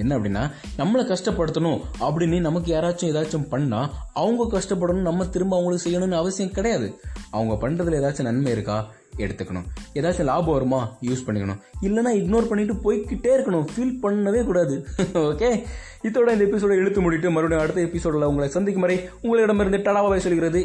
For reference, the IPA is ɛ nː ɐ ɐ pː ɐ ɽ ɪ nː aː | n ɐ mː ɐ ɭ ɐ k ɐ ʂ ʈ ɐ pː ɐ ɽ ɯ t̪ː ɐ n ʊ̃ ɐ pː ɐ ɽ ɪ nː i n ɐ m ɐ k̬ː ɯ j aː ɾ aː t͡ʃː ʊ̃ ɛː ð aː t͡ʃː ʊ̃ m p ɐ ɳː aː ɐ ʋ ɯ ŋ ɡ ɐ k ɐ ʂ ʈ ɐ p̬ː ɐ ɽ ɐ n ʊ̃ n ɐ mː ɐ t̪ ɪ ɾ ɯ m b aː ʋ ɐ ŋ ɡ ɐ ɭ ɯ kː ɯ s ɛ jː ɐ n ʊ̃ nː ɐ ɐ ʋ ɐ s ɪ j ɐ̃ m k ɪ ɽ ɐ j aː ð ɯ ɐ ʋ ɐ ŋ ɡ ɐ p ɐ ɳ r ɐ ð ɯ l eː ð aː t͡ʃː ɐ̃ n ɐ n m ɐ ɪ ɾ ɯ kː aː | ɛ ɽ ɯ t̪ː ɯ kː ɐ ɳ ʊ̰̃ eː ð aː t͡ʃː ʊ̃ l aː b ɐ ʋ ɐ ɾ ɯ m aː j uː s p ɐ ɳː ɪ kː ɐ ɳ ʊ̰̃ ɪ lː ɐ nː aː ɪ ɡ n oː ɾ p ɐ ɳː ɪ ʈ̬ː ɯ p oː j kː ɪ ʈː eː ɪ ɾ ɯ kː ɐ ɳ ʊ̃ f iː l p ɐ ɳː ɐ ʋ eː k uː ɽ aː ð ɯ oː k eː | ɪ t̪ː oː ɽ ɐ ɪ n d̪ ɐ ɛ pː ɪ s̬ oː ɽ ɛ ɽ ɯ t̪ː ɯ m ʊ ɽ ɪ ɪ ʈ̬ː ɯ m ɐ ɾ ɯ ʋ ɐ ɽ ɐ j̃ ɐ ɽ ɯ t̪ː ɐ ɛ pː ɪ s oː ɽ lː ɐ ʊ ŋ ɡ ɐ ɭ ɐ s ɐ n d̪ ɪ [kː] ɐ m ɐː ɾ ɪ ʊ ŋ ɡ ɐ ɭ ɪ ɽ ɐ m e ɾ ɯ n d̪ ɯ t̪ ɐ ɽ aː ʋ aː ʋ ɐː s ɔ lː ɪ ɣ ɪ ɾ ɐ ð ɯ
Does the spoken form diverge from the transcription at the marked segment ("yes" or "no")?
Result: no